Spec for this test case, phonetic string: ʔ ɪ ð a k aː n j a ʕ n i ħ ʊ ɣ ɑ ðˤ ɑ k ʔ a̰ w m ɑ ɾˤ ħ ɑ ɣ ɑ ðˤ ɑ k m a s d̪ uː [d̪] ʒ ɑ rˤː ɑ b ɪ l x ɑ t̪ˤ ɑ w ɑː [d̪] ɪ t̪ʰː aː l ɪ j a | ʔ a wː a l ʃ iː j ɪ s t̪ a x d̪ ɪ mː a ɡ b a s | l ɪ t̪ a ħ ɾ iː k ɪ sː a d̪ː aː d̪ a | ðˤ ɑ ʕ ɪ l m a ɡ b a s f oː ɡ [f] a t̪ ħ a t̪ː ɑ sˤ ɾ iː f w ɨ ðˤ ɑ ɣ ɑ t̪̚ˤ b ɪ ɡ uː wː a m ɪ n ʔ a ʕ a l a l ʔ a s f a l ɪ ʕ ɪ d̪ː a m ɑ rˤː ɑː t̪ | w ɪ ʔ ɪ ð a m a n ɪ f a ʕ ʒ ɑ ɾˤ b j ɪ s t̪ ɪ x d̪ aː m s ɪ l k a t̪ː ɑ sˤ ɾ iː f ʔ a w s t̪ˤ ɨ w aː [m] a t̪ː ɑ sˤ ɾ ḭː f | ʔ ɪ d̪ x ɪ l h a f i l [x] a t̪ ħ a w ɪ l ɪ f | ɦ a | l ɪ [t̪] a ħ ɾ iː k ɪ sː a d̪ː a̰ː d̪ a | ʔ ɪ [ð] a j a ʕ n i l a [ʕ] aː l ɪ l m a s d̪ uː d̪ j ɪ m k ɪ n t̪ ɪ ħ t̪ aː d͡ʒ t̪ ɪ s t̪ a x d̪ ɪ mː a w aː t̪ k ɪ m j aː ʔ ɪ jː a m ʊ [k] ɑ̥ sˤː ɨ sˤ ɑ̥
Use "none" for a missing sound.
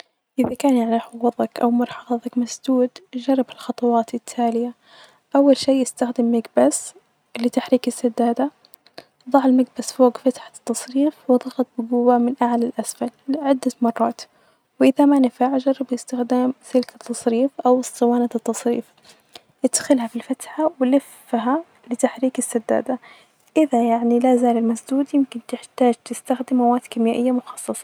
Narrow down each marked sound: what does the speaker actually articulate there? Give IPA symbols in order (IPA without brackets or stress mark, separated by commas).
d̪, t̪, f, n, f, t̪, ð, z, x